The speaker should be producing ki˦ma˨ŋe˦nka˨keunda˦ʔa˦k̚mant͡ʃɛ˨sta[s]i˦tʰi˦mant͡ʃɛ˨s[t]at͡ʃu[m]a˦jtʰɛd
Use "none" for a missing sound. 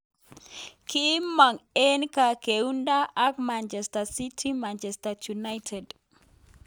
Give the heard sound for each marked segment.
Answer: s, t, n

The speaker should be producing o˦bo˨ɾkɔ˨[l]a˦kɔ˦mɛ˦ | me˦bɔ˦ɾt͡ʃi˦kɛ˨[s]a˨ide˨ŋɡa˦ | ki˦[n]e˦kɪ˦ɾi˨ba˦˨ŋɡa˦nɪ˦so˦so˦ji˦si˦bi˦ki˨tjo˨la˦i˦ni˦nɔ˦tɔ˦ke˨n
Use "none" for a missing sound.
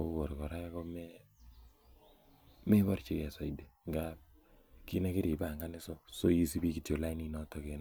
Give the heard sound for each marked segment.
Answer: ɾ, s, n

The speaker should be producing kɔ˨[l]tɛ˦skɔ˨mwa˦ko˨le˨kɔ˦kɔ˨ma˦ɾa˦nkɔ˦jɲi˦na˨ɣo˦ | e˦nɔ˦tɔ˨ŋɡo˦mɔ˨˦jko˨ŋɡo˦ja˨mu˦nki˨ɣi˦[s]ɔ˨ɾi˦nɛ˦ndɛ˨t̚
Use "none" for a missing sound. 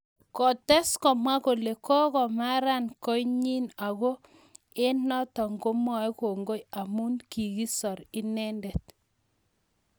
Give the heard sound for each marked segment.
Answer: none, s

